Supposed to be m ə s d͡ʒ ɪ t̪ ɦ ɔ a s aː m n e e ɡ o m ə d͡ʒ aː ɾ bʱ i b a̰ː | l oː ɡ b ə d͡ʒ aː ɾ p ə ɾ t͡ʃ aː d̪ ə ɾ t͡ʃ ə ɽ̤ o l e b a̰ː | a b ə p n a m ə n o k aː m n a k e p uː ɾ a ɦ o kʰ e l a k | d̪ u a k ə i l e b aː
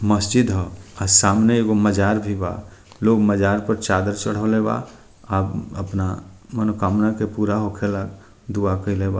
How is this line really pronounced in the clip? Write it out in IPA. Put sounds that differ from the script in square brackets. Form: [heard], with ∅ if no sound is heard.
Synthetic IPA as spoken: m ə s d͡ʒ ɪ [d̪] ɦ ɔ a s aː m n e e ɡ o m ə d͡ʒ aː ɾ bʱ i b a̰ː | l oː ɡ [m] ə d͡ʒ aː ɾ p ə ɾ t͡ʃ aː d̪ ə ɾ t͡ʃ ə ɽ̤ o l e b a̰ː | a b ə p n a m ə n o k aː m n a k e p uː ɾ a ɦ o kʰ e l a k | d̪ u a k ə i l e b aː